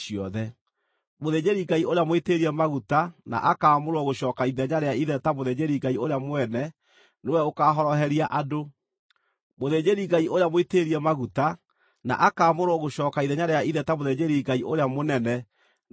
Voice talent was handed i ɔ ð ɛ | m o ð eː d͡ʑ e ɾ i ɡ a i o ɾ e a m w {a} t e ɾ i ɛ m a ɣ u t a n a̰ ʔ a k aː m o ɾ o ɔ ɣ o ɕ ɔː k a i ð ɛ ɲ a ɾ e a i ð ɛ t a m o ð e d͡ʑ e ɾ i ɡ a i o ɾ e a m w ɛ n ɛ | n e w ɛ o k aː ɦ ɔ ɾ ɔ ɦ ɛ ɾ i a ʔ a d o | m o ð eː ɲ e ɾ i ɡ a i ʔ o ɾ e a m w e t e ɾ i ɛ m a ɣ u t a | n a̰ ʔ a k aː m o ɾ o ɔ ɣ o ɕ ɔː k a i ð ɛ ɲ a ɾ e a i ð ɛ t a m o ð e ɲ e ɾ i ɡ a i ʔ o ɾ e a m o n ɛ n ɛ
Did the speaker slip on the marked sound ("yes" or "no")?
yes